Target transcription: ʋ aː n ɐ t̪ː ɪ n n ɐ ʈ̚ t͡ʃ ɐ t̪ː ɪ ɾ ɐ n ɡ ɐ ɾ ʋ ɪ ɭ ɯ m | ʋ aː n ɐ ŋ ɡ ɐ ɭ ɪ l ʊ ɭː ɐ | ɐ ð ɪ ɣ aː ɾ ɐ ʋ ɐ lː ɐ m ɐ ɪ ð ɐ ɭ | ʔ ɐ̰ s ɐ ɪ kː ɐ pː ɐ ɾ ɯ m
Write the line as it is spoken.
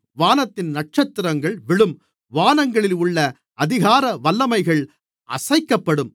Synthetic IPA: ʋ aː n ɐ t̪ː ɪ n n ɐ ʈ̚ t͡ʃ ɐ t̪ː ɪ ɾ ɐ ŋ ɡ ɐ ɭ ʋ ɪ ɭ ɯ m | ʋ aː n ɐ ŋ ɡ ɐ ɭ ɪ l ʊ ɭː ɐ | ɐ ð ɪ ɣ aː ɾ ɐ ʋ ɐ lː ɐ m ɐ ɪ ɣ ɐ ɭ | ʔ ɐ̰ s ɐ ɪ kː ɐ pː ɐ ɽ ɯ m